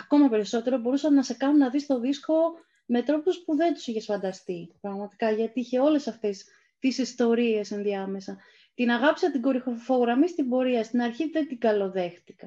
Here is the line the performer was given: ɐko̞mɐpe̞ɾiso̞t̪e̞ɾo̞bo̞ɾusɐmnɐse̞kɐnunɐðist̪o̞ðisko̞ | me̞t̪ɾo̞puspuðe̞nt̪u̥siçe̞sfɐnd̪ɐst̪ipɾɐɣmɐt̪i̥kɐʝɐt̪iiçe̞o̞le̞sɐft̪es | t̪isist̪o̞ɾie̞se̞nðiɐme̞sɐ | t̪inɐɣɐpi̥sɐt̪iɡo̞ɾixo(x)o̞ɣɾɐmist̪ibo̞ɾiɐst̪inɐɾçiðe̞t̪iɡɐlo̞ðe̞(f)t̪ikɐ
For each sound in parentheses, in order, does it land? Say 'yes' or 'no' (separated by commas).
no, no